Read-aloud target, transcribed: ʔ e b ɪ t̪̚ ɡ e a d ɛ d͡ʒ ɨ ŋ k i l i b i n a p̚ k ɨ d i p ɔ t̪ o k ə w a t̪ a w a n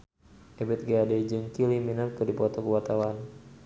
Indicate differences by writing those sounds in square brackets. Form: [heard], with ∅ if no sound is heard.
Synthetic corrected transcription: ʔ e b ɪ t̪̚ ɡ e a d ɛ d͡ʒ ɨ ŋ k i l i [m] i n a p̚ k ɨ d i p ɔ t̪ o k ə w a t̪ a w a n